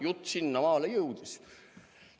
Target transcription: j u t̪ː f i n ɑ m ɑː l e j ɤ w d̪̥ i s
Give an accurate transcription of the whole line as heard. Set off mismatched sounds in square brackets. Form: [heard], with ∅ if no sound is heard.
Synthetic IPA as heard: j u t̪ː [s] i [nː] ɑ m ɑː l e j ɤ w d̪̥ i s